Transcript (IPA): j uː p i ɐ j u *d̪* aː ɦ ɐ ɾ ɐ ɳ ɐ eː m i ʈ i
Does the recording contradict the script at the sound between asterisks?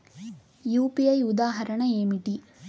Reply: no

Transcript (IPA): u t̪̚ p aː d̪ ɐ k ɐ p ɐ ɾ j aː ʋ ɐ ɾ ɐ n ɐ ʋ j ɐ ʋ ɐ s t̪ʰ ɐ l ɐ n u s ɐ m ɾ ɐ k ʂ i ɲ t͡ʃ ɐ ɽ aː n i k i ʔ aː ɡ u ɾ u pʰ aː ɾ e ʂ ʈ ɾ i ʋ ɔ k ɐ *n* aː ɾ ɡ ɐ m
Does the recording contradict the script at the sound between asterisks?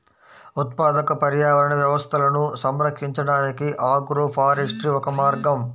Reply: yes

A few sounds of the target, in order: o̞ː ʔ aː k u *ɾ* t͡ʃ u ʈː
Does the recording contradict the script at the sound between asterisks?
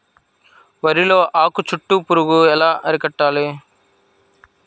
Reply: yes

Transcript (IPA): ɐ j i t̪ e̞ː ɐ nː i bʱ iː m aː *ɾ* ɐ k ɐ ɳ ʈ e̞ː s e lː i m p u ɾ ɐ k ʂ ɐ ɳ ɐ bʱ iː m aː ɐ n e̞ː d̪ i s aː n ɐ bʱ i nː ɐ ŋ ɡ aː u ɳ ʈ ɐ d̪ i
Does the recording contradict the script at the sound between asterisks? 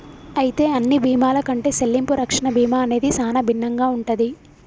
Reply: yes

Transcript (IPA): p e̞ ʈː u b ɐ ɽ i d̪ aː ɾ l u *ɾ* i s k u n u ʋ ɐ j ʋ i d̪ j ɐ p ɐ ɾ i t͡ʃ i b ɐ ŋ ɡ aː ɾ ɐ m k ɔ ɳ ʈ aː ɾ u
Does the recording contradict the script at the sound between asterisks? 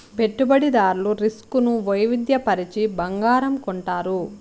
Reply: no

